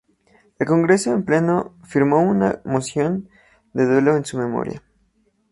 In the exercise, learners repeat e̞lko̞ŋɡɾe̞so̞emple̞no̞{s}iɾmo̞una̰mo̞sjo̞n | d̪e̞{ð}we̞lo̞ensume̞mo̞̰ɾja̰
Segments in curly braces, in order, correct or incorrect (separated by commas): incorrect, correct